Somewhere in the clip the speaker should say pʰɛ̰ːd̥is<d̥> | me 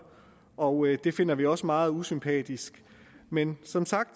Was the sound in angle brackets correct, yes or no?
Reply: no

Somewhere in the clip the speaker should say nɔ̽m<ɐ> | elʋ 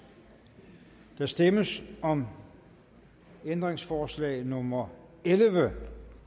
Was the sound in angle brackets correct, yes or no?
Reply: yes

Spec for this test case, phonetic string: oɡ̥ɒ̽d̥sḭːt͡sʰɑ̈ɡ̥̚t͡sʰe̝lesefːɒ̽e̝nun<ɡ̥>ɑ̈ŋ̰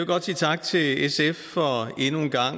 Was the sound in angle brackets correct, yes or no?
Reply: yes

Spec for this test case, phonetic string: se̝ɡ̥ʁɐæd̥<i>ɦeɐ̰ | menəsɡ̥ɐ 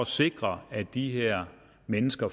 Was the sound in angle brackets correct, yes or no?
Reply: yes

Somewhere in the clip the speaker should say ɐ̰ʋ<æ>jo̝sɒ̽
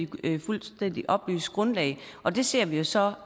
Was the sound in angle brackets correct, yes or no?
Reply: no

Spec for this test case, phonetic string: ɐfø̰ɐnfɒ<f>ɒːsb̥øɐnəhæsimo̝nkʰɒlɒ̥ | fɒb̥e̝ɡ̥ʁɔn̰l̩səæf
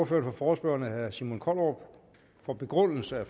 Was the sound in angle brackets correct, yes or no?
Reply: yes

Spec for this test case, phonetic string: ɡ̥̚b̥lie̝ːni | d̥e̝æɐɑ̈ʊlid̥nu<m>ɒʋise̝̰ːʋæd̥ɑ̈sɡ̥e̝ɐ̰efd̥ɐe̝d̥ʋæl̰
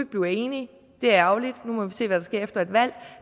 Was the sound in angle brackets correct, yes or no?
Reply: yes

